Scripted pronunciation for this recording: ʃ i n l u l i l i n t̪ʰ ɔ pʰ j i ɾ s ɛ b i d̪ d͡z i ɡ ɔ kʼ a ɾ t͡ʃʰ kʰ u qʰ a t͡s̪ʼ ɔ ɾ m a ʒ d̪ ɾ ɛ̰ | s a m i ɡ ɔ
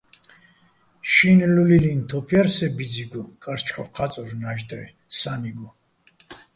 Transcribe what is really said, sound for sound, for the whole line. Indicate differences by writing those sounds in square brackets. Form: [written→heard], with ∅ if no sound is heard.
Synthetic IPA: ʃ i n l u l i l i n t̪ʰ ɔ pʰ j [i→a] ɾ s ɛ b i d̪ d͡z i ɡ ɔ kʼ a ɾ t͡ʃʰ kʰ [u→ɔ] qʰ a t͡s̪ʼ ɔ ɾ [m→n] a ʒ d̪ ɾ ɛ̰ | s a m i ɡ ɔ